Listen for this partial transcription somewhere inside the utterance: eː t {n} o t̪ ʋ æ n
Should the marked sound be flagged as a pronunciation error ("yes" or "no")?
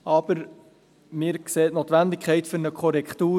no